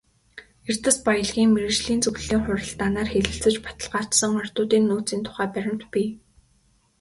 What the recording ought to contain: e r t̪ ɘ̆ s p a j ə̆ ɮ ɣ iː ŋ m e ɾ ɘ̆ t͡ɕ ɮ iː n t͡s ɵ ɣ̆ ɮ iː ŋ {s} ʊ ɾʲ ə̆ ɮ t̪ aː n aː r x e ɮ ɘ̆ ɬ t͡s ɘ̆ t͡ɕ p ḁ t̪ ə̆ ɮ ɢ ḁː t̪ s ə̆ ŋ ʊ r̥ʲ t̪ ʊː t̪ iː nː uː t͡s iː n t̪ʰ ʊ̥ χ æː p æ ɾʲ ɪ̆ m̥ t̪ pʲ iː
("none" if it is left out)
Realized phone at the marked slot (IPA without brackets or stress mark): χ